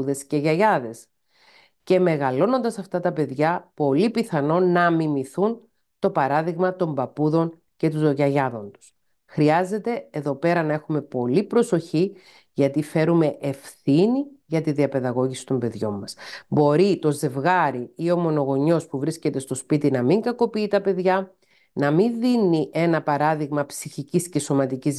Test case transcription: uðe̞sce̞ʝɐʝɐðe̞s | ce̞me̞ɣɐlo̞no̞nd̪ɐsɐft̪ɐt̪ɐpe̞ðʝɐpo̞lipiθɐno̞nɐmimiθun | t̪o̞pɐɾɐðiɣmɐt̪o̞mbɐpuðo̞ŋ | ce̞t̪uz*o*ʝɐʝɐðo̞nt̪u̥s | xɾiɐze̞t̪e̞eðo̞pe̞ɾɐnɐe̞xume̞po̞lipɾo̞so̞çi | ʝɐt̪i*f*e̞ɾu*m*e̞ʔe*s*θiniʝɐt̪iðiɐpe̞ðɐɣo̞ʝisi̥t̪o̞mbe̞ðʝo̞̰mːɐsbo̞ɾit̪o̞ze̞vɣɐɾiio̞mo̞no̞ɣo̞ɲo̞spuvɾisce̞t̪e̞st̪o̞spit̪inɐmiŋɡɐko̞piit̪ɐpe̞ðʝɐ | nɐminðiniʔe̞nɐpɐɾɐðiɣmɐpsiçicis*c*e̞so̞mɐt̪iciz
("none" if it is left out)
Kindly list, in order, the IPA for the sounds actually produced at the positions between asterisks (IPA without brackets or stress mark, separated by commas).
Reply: o, f, m, f, c